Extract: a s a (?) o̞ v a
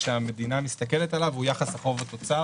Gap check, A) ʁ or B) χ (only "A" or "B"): B